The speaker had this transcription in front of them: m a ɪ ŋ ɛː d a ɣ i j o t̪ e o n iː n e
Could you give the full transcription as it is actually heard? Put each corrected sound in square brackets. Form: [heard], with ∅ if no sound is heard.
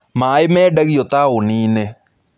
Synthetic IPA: m a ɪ [m] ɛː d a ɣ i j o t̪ [a] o n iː n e